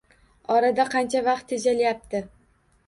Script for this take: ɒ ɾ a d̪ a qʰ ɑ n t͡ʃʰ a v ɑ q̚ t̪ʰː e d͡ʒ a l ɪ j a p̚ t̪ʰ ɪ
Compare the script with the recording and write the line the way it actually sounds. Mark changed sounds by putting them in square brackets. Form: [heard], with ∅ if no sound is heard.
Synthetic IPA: ɒ ɾ a d̪ a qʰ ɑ n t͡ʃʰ a v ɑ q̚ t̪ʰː e d͡ʒ a l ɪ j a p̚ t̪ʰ ɪ